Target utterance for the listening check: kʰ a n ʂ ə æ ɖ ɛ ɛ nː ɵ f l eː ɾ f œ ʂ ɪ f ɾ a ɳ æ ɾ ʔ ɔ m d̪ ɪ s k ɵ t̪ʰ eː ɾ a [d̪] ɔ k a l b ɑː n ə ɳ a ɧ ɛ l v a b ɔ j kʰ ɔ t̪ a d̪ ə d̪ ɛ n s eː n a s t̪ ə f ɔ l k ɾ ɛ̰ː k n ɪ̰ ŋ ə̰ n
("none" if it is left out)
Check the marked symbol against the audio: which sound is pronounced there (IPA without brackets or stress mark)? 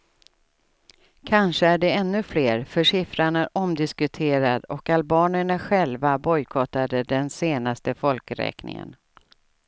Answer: d̪